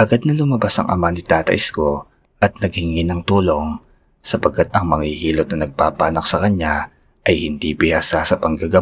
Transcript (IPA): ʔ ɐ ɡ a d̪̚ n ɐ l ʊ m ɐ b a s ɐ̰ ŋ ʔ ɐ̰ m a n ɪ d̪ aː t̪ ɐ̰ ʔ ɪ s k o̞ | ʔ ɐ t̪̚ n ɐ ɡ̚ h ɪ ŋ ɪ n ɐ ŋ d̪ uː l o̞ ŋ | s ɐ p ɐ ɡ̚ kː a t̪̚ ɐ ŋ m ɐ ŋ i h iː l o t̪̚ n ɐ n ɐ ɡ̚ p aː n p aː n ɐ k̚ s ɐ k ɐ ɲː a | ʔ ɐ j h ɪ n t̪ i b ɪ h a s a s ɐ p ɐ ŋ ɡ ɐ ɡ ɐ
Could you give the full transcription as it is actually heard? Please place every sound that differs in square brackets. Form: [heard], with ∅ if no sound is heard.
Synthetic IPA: ʔ ɐ ɡ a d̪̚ n ɐ l ʊ m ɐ b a s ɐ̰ ŋ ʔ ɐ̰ m a n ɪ [t̪] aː t̪ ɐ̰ ʔ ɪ s k o̞ | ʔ ɐ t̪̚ n ɐ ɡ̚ h ɪ ŋ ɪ n ɐ ŋ [t̪] uː l o̞ ŋ | s ɐ p ɐ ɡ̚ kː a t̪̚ ɐ ŋ m ɐ ŋ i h iː l o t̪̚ n ɐ n ɐ ɡ̚ p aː [∅] p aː n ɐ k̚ s ɐ k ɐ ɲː a | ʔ ɐ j h ɪ n [d̪] i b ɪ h a s a s ɐ p ɐ ŋ ɡ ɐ ɡ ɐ